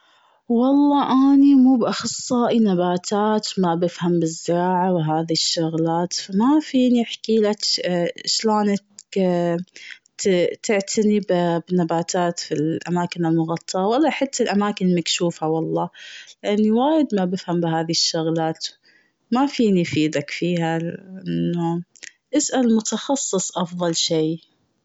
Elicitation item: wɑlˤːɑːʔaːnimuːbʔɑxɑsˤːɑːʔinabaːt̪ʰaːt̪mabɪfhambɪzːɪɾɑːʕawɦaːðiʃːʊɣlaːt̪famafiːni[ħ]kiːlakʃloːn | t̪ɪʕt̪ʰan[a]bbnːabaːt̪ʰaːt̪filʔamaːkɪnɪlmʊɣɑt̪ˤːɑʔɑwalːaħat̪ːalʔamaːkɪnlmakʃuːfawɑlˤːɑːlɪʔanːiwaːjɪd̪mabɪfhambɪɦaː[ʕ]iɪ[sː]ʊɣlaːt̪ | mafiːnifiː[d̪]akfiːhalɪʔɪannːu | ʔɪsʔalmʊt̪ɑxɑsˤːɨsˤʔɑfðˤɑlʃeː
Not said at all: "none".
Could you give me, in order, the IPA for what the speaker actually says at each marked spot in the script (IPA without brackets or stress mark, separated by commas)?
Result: ħ, i, ð, ʃː, d̪